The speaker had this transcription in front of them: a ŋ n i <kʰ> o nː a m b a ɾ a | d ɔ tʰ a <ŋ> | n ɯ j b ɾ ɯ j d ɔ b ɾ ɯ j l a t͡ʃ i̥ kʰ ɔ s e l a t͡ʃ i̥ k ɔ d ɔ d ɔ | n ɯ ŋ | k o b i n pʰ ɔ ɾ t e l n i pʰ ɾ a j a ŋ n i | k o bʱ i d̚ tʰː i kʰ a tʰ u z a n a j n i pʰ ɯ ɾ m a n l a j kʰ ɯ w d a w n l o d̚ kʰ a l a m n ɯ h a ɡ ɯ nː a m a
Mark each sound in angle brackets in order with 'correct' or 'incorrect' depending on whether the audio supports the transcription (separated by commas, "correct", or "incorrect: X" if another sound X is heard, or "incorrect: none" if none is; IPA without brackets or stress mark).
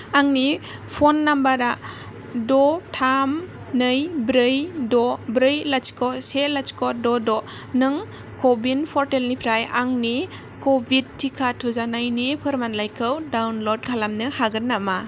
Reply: incorrect: pʰ, incorrect: m